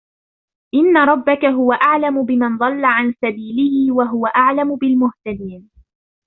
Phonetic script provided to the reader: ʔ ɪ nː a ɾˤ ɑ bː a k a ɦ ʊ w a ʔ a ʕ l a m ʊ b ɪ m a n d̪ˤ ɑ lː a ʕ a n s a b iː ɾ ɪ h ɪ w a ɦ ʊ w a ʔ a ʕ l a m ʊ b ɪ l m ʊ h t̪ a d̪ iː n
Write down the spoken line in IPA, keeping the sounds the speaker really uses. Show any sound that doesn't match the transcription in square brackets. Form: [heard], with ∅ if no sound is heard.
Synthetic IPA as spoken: ʔ ɪ nː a ɾˤ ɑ bː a k a ɦ ʊ w a ʔ a ʕ l a m ʊ b ɪ m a n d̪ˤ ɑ lː a ʕ a n s a b iː [l] ɪ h ɪ w a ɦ ʊ w a ʔ a ʕ l a m ʊ b ɪ l m ʊ h t̪ a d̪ iː n